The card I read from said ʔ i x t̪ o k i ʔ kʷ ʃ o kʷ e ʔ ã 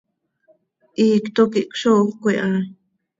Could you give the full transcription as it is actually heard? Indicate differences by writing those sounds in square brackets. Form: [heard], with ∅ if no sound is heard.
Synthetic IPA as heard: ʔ i [k] t̪ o k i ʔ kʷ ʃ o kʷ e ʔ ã